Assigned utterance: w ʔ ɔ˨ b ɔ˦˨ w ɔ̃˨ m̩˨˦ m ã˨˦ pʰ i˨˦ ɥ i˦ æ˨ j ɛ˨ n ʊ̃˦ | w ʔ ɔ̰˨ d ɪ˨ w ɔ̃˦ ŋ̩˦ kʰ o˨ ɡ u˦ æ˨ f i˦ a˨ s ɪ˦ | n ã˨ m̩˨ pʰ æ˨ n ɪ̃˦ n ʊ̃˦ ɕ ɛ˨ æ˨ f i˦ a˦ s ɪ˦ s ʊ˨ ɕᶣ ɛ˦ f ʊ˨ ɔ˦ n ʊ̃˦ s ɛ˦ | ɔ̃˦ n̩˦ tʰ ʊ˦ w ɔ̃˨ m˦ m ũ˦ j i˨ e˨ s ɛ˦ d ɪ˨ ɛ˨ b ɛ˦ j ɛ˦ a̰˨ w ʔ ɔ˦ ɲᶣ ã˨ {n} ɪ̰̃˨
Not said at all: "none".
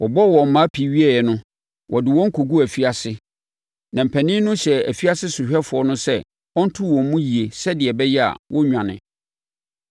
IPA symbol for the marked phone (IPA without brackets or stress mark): n